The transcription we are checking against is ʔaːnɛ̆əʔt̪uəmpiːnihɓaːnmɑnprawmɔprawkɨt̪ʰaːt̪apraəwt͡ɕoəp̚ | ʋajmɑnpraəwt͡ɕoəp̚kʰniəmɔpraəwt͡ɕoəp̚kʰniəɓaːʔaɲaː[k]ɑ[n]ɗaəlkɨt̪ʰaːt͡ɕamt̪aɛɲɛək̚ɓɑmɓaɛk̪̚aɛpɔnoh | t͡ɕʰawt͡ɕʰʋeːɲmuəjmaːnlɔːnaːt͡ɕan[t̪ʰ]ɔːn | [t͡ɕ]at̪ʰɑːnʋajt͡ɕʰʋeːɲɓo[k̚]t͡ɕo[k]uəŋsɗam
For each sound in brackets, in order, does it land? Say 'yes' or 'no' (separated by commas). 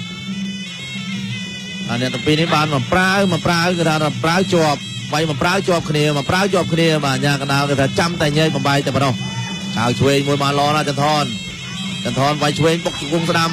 yes, yes, yes, yes, yes, yes